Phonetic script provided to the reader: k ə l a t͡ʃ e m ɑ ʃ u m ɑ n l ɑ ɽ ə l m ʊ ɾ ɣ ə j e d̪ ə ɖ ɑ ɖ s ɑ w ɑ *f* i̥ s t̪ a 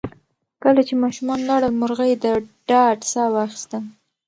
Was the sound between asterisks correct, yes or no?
no